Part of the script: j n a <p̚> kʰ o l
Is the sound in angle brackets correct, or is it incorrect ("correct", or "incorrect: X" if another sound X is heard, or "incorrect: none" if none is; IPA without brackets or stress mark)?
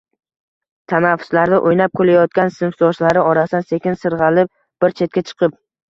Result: correct